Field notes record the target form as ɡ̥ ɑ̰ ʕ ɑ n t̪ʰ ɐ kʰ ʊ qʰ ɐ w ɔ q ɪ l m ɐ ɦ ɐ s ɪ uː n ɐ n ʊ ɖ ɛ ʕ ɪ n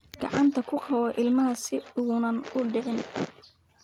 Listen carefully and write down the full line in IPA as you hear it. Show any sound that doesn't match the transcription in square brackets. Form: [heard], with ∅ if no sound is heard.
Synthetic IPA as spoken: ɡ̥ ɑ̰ ʕ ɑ n t̪ʰ ɐ kʰ ʊ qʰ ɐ w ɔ [ʔ] ɪ l m ɐ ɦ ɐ s ɪ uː n ɐ n ʊ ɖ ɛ ʕ ɪ n